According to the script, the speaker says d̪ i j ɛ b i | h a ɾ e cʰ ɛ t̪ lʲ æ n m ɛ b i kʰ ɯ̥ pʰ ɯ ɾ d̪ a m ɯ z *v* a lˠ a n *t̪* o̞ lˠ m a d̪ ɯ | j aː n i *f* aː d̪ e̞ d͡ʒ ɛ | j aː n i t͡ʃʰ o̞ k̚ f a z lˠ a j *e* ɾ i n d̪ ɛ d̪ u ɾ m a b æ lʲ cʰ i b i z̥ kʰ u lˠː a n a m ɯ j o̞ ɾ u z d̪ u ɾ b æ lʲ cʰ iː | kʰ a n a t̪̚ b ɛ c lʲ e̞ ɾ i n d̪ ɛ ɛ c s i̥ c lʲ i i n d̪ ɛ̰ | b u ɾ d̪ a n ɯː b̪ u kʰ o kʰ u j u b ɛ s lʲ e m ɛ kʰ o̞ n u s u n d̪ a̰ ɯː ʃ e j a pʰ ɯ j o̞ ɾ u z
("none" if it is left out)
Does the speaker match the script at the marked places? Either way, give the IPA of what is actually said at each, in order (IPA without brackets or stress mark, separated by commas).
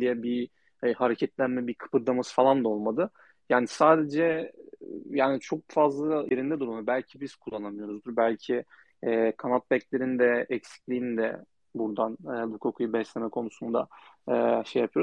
f, d̪, s, e